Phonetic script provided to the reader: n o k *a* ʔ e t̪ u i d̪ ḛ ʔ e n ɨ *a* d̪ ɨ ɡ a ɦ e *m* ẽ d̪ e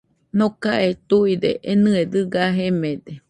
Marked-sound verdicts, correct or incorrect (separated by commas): correct, incorrect, correct